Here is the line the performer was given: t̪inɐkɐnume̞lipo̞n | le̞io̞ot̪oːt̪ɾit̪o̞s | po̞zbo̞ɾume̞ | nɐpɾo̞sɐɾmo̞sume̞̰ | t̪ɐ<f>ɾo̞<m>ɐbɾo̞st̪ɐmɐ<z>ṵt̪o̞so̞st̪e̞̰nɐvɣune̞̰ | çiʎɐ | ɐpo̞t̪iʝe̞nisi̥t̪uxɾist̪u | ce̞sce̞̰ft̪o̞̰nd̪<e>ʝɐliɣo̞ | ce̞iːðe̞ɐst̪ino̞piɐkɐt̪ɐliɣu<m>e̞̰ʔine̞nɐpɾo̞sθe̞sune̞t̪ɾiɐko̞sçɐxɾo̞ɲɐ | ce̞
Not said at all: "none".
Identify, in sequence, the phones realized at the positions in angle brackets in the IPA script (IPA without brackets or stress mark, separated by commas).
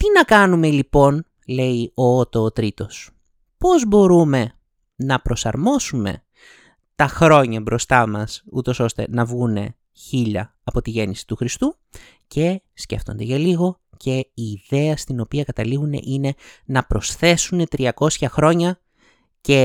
x, ɲ, s, e, n